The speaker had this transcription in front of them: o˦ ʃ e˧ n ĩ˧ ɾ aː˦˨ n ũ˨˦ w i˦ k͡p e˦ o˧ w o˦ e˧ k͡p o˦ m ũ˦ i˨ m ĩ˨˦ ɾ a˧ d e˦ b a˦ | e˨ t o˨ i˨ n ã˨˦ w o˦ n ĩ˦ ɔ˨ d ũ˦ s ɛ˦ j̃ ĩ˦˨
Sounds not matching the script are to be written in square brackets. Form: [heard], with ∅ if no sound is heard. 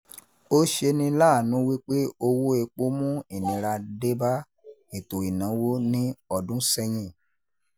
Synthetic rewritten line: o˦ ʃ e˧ n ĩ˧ [l] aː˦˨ n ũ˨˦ w i˦ k͡p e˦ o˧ w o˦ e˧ k͡p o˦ m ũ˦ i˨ [n] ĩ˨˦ ɾ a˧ d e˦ b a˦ | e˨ t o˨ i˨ n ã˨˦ w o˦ n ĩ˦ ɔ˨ d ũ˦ s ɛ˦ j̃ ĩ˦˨